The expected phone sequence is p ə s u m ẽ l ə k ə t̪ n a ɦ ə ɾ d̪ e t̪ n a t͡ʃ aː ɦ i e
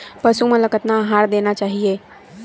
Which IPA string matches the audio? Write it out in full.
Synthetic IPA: p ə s u m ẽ l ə k ə t̪ n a ɦ a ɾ d̪ e n a t͡ʃ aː ɦ i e